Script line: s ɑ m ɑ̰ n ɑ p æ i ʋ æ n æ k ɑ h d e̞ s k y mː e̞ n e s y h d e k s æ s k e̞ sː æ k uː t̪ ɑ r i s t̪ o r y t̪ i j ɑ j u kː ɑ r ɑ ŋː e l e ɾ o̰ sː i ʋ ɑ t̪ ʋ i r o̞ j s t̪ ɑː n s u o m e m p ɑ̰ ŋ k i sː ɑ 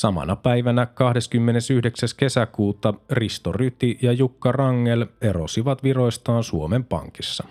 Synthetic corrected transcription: s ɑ m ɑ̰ n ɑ p æ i ʋ æ n æ k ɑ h d e̞ s k y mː e̞ n e s y h d e k s æ s k e̞ s æ k uː t̪ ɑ r i s t̪ o r y t̪ i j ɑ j u kː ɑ r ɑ ŋː e l e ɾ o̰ s i ʋ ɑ t̪ ʋ i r o̞ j s t̪ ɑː n s u o m e m p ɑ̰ ŋ k i sː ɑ